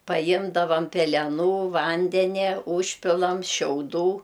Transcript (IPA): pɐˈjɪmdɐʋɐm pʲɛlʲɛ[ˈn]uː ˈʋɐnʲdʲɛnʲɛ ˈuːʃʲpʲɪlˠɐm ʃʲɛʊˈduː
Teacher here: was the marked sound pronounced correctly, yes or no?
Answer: yes